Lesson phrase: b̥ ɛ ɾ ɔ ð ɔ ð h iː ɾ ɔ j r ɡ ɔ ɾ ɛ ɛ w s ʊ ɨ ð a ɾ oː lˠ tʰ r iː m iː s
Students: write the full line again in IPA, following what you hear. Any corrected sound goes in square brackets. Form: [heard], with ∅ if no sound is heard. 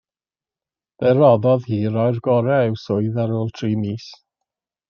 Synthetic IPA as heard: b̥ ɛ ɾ ɔ ð ɔ ð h iː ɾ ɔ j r ɡ ɔ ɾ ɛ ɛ w s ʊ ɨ ð a ɾ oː lˠ tʰ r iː m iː s